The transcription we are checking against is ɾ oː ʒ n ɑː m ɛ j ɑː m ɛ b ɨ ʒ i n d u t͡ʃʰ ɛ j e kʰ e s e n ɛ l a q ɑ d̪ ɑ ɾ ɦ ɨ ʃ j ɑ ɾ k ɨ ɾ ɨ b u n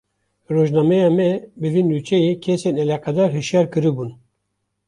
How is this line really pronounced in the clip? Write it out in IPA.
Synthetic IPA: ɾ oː ʒ n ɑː m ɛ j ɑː m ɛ b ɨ v i n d u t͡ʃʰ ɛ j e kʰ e s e n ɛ l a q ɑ d̪ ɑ ɾ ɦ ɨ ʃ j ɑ ɾ k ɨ ɾ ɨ b u n